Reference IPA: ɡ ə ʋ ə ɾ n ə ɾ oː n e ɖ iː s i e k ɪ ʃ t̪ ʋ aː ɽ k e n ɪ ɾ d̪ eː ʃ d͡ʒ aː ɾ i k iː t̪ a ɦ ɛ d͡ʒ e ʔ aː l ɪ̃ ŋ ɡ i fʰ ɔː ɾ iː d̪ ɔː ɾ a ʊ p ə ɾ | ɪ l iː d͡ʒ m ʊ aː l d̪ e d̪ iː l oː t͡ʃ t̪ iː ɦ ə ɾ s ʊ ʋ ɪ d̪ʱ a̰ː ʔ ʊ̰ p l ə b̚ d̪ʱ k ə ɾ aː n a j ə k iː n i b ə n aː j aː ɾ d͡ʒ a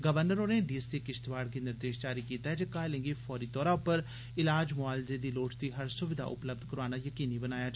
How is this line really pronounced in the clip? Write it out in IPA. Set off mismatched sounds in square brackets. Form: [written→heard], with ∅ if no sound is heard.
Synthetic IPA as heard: ɡ ə ʋ ə ɾ n ə ɾ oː n e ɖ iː s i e k ɪ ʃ t̪ ʋ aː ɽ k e n ɪ ɾ d̪ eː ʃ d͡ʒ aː ɾ i k iː t̪ a ɦ ɛ d͡ʒ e [ʔ→k] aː l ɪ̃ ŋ ɡ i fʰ ɔː ɾ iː [d̪→t̪] ɔː ɾ a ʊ p ə ɾ | ɪ l [iː→aː] d͡ʒ m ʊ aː l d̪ e d̪ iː l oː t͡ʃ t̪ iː ɦ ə ɾ s ʊ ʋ ɪ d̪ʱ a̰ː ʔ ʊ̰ p l ə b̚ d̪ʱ k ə ɾ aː n a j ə k iː n i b ə n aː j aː [ɾ→∅] d͡ʒ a